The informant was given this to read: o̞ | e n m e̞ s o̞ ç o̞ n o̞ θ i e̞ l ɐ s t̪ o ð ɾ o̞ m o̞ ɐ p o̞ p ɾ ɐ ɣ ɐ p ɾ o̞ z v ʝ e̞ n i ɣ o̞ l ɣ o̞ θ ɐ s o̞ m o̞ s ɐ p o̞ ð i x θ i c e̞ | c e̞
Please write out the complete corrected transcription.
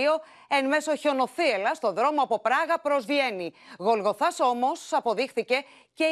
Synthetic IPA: o̞ | e n m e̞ s o̞ ç o̞ n o̞ θ i e̞ l ɐ s t̪ o ð ɾ o̞ m o̞ ɐ p o̞ p ɾ ɐ ɣ ɐ p ɾ o̞ z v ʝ e̞ n i ɣ o̞ l ɣ o̞ θ ɐ s o̞ m o̞ s ɐ p o̞ ð i x θ i c e̞ | c e̞